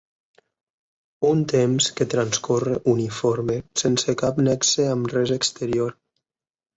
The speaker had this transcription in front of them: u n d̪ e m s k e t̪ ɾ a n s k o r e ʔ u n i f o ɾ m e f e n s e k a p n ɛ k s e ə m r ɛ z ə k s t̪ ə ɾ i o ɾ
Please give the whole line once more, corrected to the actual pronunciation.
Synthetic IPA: u n t̪ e m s k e t̪ ɾ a n s k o r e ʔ u n i f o ɾ m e s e n s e k a p n ɛ k s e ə m r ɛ z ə k s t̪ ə ɾ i o ɾ